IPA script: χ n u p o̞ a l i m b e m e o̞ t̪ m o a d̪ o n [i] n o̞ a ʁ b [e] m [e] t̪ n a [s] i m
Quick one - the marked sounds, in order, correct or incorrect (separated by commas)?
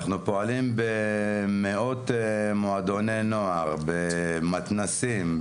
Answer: incorrect, correct, incorrect, correct